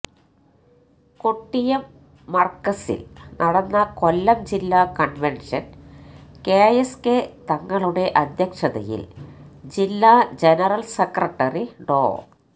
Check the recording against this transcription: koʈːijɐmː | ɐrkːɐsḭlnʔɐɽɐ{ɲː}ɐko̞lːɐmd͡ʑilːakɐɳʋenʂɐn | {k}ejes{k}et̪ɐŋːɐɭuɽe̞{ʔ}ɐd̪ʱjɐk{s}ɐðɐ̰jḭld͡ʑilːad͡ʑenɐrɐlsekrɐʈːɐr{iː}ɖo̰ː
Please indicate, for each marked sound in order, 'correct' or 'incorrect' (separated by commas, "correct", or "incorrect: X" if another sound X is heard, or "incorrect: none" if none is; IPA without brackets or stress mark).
incorrect: nː, correct, correct, correct, incorrect: ʂ, incorrect: i